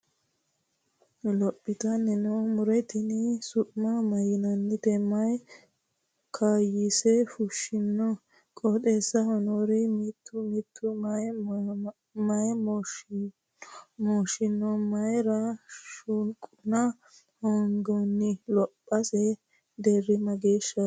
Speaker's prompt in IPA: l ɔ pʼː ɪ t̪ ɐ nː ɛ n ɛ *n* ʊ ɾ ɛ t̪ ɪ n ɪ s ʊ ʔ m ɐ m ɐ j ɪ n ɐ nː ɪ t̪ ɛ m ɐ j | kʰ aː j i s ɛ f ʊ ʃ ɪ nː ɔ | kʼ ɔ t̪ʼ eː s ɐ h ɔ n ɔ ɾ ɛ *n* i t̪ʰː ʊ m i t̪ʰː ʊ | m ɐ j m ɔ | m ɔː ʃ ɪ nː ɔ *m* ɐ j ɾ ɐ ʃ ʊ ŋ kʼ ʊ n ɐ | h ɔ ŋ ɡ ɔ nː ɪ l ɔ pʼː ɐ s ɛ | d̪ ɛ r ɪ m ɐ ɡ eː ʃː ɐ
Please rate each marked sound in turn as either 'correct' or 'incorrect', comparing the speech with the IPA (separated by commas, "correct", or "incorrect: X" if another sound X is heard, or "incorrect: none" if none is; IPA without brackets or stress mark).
incorrect: m, incorrect: m, correct